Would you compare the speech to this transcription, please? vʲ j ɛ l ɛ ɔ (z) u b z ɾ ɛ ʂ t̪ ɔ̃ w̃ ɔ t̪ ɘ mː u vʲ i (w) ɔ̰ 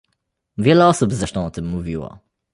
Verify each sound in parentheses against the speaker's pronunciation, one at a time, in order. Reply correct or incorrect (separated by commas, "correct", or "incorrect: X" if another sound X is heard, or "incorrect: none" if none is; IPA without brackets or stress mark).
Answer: incorrect: s, correct